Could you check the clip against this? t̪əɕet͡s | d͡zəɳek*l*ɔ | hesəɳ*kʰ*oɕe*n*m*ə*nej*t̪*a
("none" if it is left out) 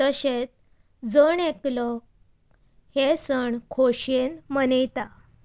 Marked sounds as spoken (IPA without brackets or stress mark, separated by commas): l, kʰ, n, ə, t̪